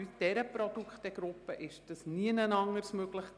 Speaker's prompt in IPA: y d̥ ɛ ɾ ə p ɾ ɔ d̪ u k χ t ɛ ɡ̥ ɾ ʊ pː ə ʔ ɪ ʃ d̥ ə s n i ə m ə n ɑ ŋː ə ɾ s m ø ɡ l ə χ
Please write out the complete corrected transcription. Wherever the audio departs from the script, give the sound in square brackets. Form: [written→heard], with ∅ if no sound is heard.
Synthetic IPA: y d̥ ɛ ɾ ə p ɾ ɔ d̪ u k χ t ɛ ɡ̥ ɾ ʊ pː ə ʔ ɪ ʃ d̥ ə s n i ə [m→n] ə n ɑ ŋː ə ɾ s m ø ɡ l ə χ